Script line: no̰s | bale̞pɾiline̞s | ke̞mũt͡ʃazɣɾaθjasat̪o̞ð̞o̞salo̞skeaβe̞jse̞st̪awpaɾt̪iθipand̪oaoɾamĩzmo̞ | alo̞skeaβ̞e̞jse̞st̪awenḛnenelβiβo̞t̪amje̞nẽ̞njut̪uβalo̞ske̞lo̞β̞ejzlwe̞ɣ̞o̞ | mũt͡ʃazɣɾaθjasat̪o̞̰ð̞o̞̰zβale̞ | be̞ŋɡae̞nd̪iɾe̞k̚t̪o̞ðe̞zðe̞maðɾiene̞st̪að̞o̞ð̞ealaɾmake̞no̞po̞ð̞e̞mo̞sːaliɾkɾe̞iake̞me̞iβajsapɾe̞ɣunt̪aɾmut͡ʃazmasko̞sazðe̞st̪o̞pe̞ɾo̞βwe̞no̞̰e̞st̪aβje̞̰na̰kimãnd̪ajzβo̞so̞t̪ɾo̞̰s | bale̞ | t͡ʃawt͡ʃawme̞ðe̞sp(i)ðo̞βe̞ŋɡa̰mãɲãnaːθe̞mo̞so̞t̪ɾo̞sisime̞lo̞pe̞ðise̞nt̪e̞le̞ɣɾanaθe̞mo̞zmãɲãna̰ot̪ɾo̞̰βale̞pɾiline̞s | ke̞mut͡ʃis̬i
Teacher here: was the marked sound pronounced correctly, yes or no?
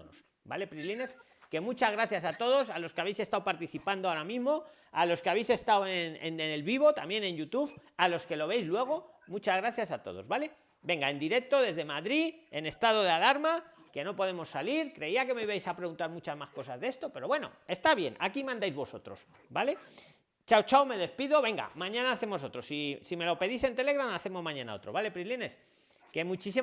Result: yes